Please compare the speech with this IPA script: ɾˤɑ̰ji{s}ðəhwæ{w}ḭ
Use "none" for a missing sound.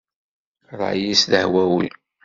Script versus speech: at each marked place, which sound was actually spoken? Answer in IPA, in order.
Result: s, w

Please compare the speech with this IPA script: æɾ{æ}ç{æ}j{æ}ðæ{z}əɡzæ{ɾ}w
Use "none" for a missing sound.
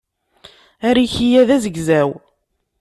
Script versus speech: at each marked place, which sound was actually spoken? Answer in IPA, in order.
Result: i, i, æ, z, none

